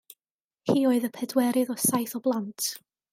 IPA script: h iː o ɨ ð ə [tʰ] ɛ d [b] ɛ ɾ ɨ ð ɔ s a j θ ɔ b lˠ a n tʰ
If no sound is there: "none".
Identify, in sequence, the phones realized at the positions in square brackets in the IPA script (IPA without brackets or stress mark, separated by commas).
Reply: pʰ, w